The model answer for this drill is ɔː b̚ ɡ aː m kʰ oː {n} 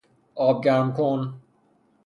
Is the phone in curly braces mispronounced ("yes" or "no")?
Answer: no